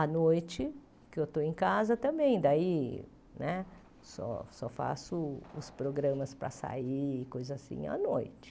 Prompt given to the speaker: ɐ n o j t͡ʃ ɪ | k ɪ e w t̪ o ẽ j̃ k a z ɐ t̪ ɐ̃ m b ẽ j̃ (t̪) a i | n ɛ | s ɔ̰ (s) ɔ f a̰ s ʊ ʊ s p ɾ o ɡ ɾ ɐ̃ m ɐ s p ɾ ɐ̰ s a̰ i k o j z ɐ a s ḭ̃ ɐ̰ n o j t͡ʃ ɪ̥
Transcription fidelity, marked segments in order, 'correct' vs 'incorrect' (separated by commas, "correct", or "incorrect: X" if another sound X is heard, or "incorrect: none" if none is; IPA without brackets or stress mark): incorrect: d̪, correct